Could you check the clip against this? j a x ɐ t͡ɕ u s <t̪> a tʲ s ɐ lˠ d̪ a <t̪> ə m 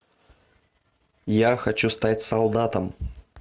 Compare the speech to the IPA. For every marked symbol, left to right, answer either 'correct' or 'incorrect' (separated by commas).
correct, correct